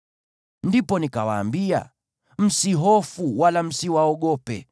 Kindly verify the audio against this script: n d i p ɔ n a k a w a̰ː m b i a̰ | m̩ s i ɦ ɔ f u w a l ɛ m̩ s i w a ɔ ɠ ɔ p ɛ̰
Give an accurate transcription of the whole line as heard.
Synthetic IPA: n d i p ɔ n i k a w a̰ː m b i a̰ | m̩ s i ɦ ɔ f u w a l a m̩ s i w a ɔ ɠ ɔ p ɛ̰